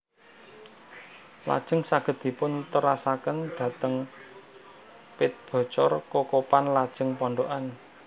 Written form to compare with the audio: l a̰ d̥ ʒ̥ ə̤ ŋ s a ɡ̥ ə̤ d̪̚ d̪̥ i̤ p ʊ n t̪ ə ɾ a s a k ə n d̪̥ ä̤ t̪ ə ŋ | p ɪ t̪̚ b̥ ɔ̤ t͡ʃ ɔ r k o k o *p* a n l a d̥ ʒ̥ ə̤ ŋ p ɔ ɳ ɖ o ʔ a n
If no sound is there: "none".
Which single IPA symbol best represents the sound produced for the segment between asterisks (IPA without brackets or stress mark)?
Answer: p